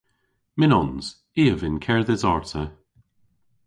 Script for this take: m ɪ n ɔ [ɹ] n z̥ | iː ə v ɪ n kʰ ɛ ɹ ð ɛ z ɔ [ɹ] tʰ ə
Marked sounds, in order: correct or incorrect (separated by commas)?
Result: incorrect, correct